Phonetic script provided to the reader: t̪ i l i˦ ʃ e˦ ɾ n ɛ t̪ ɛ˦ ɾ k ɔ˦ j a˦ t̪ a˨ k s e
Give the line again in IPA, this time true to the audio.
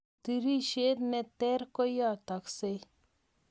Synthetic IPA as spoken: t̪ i ɾ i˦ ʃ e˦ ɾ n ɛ t̪ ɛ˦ ɾ k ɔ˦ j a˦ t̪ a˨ k s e

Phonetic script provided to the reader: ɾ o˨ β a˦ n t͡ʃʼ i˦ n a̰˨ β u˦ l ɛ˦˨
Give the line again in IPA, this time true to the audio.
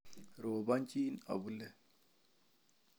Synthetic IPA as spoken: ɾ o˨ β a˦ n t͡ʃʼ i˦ n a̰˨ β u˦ l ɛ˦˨

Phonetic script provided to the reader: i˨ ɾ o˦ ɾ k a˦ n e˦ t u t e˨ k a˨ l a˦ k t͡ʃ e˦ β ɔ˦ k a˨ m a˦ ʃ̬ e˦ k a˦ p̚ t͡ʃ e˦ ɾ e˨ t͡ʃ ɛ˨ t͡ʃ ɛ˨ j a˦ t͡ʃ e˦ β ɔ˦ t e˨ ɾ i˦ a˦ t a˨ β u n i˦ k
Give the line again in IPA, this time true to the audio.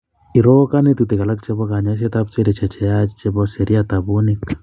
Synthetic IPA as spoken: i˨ ɾ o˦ k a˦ n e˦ t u t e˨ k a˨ l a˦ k t͡ʃ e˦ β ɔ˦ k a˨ ɲ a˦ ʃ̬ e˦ t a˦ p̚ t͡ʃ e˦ ɾ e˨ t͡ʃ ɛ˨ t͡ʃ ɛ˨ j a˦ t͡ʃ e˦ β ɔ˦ s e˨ ɾ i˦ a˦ t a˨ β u n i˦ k

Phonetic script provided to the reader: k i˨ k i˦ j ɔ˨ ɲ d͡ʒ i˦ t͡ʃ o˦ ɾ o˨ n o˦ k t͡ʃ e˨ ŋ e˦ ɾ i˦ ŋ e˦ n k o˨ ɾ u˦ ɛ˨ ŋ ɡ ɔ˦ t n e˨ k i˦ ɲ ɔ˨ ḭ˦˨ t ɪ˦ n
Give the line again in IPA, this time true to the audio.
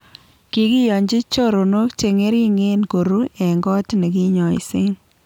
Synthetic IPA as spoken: k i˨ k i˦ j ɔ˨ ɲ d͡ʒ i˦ t͡ʃ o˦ ɾ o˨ n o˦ k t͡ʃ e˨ ŋ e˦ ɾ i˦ ŋ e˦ n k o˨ ɾ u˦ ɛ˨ ŋ ɡ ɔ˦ t n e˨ k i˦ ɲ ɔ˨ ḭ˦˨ s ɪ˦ n

